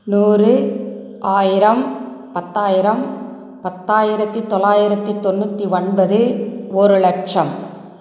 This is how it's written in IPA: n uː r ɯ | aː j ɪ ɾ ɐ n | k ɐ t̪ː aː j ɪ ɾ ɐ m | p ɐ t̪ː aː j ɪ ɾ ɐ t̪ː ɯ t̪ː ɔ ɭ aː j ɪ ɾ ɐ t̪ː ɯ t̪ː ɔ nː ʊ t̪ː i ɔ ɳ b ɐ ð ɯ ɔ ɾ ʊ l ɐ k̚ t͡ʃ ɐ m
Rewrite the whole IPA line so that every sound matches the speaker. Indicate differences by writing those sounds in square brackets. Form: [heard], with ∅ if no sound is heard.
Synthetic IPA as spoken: n uː r ɯ | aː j ɪ ɾ ɐ [m] | [p] ɐ t̪ː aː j ɪ ɾ ɐ m | p ɐ t̪ː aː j ɪ ɾ ɐ t̪ː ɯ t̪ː ɔ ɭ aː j ɪ ɾ ɐ t̪ː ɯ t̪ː ɔ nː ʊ t̪ː i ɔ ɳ b ɐ ð ɯ ɔ ɾ [ɯ] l ɐ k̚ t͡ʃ ɐ m

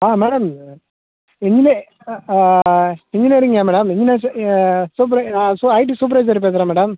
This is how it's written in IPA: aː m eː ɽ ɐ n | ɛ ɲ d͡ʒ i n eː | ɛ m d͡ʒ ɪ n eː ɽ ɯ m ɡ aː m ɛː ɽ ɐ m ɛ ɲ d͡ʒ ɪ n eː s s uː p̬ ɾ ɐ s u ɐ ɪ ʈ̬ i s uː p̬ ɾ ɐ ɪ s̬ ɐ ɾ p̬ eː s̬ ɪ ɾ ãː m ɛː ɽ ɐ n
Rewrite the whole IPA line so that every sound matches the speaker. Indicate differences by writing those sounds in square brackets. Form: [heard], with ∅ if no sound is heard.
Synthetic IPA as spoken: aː m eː ɽ ɐ [m] | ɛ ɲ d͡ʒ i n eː | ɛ [ɲ] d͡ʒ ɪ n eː [ɾ] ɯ [ŋ] ɡ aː m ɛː ɽ ɐ m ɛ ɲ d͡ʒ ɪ n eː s s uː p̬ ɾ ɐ s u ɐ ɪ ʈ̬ i s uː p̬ ɾ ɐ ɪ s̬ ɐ ɾ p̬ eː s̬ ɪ ɾ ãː m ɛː ɽ ɐ [m]

